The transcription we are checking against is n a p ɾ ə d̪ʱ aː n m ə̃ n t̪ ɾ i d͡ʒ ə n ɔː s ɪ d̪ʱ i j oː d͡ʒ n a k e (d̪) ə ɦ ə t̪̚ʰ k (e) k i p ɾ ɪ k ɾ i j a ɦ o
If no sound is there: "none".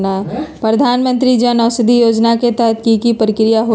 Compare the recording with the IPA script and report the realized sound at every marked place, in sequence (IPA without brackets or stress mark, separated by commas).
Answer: t̪, i